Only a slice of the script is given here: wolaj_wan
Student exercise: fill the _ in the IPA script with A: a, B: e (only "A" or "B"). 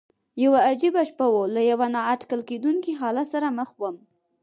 A